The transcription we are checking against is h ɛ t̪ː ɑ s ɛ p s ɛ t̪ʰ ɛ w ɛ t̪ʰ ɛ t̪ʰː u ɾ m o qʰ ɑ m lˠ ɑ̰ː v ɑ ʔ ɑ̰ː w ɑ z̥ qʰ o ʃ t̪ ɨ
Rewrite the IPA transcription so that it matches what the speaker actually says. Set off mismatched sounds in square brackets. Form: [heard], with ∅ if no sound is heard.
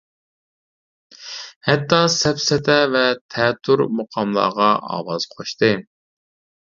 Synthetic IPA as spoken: h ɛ t̪ː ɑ s ɛ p s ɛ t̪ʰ ɛ [v] ɛ t̪ʰ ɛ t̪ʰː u ɾ m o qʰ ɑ m lˠ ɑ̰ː [ʁ] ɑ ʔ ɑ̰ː w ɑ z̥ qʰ o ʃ t̪ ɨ

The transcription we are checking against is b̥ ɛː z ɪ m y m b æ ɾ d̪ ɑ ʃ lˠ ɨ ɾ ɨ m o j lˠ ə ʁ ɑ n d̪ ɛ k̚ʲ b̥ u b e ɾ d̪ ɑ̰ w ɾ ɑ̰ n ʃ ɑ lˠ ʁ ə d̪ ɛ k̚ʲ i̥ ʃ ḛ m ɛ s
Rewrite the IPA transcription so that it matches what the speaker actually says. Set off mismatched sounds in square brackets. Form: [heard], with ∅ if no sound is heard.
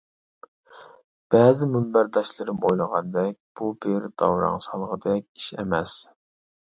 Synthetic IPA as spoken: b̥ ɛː z ɪ m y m b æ ɾ d̪ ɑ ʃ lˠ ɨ ɾ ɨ m o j lˠ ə ʁ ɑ n d̪ ɛ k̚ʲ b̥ u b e ɾ d̪ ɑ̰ w ɾ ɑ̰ [ŋ] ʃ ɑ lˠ ʁ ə d̪ ɛ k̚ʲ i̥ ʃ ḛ m ɛ s

